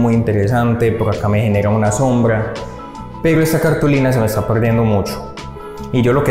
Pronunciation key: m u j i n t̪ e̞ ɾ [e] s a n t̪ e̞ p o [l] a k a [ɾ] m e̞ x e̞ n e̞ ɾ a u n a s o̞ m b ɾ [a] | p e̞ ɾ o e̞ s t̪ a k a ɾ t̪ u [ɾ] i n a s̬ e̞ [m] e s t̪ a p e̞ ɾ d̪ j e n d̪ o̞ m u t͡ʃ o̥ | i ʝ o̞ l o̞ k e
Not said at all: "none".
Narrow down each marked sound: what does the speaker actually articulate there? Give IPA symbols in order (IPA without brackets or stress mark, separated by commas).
e, ɾ, none, a, l, m